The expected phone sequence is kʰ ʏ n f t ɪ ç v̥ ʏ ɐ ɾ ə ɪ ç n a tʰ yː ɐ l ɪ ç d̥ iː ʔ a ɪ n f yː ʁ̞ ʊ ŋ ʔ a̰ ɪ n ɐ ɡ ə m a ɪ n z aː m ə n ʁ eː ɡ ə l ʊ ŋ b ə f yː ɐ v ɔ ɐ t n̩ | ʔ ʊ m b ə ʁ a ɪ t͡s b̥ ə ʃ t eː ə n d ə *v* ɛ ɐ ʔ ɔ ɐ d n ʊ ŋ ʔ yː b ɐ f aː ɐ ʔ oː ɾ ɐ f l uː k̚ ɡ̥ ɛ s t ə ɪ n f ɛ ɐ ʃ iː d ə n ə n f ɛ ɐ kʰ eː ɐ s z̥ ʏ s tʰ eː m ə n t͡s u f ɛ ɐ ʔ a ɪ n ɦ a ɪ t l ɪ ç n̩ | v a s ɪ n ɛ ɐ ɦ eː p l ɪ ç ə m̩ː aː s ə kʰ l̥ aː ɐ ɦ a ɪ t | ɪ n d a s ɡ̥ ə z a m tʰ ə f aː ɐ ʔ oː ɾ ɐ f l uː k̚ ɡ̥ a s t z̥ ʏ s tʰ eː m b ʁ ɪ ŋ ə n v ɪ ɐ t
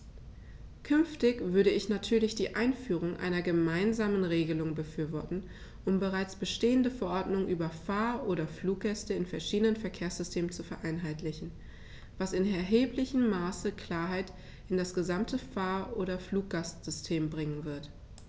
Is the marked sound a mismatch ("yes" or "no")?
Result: yes